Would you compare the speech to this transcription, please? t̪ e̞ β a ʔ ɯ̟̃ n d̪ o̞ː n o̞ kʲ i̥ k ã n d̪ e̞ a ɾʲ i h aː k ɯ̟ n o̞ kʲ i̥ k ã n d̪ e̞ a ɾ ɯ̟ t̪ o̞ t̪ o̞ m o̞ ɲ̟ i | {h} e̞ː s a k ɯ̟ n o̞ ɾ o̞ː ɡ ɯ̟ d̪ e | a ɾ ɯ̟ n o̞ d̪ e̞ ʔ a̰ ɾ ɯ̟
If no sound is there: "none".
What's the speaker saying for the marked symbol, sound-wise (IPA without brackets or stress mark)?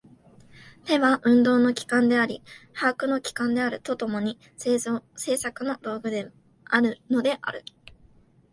s